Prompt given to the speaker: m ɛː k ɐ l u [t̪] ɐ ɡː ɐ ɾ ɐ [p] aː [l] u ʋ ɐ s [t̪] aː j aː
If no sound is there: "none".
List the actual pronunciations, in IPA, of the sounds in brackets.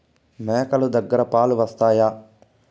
d̪, p, l, t̪

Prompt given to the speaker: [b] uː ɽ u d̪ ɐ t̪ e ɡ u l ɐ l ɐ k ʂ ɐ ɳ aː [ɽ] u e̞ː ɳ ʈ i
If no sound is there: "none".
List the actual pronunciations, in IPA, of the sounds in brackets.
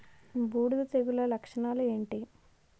b, l

